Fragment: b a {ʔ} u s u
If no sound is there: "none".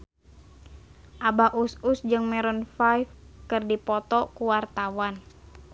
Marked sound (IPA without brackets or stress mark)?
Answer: ʔ